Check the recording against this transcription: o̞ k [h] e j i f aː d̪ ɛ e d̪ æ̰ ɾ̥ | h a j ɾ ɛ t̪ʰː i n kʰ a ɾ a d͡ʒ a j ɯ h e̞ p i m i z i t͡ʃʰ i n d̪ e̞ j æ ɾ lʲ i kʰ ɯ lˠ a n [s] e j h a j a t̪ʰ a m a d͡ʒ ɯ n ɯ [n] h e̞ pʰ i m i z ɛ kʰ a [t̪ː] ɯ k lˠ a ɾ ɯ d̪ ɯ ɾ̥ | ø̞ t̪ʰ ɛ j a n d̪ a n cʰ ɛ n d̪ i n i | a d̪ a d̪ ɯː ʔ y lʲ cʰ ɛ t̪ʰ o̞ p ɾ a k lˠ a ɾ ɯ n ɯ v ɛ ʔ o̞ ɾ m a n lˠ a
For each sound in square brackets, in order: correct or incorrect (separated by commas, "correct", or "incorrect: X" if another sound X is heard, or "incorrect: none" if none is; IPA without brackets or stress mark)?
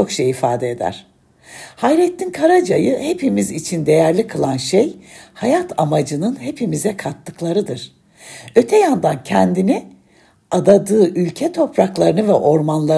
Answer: incorrect: ʃ, incorrect: ʃ, correct, correct